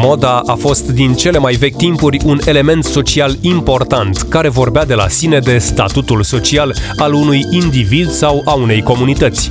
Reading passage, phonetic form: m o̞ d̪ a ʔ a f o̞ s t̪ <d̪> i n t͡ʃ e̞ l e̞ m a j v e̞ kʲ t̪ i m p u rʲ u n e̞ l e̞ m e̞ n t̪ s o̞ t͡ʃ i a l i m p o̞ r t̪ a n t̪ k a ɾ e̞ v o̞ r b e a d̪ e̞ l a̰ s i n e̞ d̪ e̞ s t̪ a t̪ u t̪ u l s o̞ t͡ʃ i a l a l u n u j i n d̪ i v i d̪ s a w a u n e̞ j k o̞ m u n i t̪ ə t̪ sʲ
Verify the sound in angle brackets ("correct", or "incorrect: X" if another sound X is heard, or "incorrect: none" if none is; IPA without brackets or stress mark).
correct